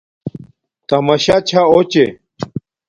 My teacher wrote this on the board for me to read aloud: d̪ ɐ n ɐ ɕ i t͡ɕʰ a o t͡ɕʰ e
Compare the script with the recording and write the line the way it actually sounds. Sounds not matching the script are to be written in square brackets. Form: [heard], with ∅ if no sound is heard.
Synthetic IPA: [t̪] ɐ [m] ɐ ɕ [a] t͡ɕʰ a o [t͡ɕ] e